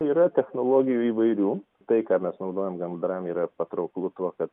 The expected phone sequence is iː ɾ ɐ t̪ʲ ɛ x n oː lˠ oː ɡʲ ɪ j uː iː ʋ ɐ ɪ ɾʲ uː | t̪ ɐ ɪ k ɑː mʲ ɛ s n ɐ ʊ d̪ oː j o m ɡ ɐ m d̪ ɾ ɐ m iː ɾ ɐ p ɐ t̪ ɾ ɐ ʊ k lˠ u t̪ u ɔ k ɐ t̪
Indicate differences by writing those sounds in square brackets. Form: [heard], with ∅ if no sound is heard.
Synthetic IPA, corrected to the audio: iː ɾ ɐ t̪ʲ ɛ x n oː lˠ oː ɡʲ ɪ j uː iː ʋ ɐ ɪ ɾʲ uː | t̪ ɐ ɪ k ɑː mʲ ɛ s n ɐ ʊ d̪ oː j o m ɡ ɐ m d̪ ɾ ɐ m iː ɾ ɐ p ɐ t̪ ɾ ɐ ʊ k lˠ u t̪ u ɔ k ɐ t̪